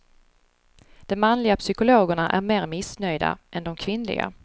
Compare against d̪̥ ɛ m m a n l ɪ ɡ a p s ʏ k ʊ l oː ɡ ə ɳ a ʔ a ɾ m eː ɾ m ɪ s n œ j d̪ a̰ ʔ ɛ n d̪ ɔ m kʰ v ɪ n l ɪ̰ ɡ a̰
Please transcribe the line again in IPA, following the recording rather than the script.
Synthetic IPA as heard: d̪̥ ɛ m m a n l ɪ ɡ a p s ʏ k ʊ l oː ɡ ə ɳ a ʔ æ ɾ m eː ɾ m ɪ s n œ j d̪ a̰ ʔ ɛ n d̪ ɔ m kʰ v ɪ n l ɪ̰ ɡ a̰